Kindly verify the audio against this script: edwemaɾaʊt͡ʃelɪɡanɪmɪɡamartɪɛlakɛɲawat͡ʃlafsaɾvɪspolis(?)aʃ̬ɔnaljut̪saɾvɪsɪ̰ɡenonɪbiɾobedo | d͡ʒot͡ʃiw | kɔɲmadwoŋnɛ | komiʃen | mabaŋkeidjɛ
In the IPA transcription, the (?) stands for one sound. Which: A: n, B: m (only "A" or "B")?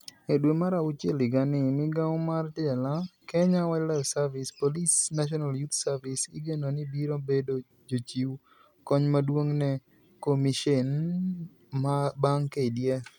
A